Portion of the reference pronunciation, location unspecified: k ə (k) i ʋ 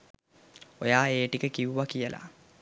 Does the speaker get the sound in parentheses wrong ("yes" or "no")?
no